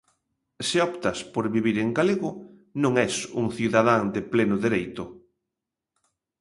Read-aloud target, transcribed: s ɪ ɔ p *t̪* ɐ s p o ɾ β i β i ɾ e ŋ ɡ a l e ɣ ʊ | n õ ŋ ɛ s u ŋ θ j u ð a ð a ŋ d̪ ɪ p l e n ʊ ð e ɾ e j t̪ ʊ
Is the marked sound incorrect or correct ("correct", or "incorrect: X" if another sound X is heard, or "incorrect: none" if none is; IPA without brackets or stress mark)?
correct